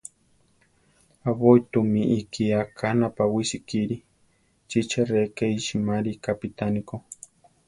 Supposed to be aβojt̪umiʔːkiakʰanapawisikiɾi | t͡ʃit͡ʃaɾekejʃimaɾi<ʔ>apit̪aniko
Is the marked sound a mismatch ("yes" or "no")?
yes